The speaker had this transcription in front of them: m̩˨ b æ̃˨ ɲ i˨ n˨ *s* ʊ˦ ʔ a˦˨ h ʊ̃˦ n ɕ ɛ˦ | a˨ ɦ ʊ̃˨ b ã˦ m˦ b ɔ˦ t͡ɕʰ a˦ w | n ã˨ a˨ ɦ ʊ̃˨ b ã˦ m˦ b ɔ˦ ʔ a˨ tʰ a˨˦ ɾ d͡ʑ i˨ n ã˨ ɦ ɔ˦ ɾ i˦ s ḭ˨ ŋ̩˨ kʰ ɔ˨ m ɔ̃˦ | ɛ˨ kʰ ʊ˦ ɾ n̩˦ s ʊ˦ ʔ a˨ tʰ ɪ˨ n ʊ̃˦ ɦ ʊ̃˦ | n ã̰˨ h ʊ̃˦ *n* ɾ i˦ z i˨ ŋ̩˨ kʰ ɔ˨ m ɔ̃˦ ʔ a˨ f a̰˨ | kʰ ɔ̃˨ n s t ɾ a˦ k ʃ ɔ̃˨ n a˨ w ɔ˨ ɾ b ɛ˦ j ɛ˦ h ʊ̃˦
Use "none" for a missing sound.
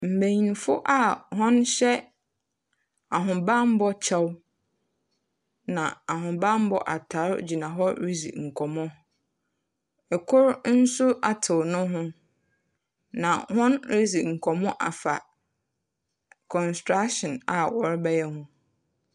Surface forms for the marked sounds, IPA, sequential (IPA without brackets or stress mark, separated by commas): f, n